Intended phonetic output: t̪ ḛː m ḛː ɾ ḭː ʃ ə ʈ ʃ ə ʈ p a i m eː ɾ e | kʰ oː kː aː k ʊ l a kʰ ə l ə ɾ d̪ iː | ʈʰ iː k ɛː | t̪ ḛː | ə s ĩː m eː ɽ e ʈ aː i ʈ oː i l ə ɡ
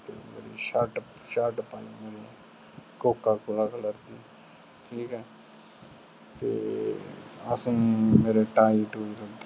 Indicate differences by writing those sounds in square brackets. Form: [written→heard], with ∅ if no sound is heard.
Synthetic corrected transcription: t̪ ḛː m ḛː ɾ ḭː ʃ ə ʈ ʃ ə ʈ p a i m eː ɾ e | [kʰ→k] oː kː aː k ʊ l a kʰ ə l ə ɾ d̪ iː | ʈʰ iː k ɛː | t̪ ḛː | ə s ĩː m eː [ɽ→ɾ] e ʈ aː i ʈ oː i l ə ɡ